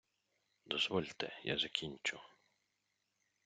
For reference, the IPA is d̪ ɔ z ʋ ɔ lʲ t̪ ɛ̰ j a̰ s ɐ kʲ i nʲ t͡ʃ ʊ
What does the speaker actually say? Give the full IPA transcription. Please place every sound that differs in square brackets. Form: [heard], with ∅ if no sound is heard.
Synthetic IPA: d̪ ɔ z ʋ ɔ lʲ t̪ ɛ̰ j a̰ [z] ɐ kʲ i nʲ t͡ʃ ʊ